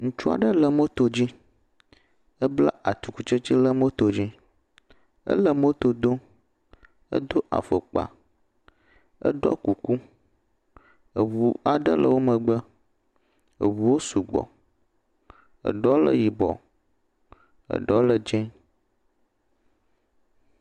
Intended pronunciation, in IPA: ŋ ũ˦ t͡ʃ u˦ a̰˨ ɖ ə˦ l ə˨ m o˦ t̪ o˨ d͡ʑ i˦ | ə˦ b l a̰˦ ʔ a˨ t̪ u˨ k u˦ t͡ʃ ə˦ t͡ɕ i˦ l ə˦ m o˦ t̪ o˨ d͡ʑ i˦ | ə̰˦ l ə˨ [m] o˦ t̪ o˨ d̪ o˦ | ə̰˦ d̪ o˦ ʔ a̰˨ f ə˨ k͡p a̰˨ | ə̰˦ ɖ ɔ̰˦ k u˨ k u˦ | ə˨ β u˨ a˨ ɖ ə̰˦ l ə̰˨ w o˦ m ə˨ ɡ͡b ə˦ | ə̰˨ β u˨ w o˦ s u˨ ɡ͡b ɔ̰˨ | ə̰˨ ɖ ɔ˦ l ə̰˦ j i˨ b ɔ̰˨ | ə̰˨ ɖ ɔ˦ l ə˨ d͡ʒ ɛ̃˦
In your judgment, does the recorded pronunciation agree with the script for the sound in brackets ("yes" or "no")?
yes